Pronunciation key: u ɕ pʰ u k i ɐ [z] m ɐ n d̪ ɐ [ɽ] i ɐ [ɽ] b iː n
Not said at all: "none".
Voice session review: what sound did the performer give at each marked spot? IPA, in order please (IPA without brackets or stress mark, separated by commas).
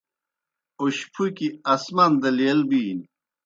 s, l, l